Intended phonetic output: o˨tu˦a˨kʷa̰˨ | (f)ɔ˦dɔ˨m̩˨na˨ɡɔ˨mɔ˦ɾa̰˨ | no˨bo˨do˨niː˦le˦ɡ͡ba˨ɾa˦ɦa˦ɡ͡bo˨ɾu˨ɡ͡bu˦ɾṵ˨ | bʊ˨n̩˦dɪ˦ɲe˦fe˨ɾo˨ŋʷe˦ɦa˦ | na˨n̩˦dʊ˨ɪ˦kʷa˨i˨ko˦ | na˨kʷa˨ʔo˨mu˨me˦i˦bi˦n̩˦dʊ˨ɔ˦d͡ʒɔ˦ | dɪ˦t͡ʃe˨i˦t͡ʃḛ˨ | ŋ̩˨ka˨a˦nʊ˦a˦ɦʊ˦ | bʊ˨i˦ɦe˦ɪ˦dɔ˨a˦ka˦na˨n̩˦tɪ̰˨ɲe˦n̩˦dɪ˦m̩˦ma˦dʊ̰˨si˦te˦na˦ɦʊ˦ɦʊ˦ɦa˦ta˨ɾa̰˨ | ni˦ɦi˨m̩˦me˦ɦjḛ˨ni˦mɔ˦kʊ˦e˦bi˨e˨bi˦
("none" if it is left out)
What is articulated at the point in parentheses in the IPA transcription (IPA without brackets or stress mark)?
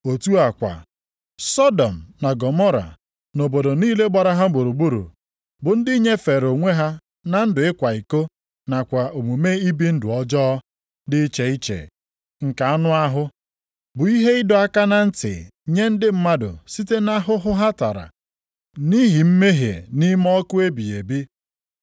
s